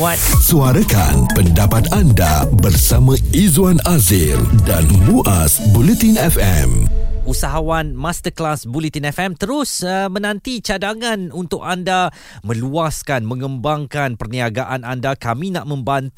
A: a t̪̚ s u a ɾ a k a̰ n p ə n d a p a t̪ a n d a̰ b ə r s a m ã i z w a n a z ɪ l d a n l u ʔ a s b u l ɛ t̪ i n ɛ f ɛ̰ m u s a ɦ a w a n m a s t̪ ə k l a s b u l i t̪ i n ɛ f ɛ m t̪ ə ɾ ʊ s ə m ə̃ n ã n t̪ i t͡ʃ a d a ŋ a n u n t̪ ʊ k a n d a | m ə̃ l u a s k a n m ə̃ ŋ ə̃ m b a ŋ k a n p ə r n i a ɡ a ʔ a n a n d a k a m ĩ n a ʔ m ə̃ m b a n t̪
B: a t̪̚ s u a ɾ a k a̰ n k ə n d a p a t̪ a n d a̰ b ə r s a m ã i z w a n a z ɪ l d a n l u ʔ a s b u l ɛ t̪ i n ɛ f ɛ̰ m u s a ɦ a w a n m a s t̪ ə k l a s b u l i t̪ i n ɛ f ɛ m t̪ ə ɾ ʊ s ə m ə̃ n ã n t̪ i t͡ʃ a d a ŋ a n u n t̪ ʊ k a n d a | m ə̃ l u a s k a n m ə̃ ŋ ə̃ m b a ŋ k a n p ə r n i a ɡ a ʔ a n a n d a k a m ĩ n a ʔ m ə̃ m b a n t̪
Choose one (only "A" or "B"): A